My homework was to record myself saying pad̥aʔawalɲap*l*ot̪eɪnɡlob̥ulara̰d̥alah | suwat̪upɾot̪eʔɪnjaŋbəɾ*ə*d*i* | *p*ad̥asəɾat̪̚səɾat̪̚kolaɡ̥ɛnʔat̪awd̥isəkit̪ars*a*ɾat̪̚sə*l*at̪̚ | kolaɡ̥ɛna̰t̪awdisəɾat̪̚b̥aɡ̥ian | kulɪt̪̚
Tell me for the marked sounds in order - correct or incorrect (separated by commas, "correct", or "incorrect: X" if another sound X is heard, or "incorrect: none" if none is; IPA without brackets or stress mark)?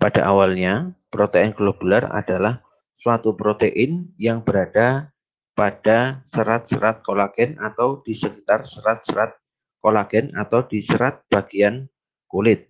incorrect: ɾ, incorrect: a, incorrect: a, correct, incorrect: ə, incorrect: ɾ